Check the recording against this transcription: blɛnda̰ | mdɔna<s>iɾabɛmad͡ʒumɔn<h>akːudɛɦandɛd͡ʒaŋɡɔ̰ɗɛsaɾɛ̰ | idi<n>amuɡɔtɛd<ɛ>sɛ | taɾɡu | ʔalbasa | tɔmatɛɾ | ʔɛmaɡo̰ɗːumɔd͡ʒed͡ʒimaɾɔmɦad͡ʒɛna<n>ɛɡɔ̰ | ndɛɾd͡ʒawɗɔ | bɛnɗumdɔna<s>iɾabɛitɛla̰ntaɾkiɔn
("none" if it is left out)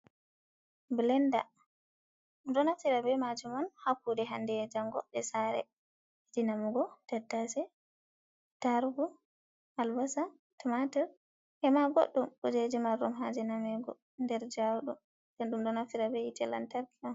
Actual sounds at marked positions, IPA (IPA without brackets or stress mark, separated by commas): f, h, n, a, m, f